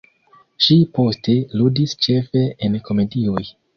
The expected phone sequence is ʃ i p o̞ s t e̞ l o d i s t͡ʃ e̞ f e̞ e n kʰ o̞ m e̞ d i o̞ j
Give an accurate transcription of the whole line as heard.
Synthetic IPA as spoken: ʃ i p o̞ s t e̞ l u d i s t͡ʃ e̞ f e̞ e n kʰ o̞ m e̞ d i o̞ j